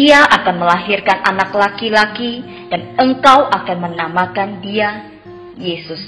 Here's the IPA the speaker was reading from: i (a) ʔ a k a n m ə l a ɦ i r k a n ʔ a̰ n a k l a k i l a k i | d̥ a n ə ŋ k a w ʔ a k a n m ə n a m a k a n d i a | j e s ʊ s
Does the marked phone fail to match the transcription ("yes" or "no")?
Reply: no